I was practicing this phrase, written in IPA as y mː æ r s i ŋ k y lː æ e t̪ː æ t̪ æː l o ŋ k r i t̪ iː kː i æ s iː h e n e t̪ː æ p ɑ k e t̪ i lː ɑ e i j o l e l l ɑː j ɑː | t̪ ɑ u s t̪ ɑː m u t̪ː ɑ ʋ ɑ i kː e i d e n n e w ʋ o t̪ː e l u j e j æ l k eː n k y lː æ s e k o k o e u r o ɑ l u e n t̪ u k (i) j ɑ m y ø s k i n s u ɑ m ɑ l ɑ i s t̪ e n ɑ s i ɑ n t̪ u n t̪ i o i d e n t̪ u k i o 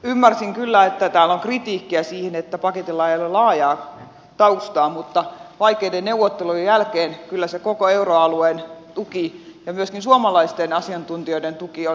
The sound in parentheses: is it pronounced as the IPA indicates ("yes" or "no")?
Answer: yes